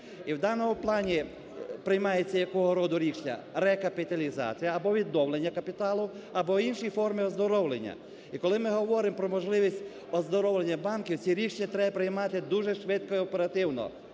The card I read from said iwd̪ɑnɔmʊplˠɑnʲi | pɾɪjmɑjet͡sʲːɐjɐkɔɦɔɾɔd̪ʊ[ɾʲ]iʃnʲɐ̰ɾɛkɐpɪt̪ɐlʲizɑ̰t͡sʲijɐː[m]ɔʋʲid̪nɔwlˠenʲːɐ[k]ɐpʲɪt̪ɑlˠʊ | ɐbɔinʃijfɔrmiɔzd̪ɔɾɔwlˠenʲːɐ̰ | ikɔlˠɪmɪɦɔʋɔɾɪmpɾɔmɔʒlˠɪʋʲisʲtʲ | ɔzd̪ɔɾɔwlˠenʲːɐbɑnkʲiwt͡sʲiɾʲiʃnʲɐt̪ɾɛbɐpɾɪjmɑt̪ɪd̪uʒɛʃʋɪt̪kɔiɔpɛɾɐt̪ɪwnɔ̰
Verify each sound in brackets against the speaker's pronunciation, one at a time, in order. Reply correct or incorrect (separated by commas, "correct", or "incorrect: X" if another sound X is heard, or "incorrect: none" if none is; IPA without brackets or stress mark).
correct, incorrect: b, correct